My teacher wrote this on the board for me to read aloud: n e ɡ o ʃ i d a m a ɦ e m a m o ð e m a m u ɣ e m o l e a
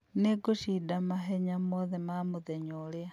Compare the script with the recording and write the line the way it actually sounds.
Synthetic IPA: n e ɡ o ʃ i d a m a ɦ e ɲ a m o ð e m a m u ð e ɲ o l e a